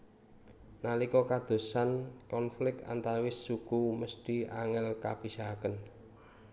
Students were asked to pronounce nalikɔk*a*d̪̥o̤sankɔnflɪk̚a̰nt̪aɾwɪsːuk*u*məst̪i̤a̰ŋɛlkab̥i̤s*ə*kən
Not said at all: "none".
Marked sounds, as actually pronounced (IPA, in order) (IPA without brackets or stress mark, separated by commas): a, u, a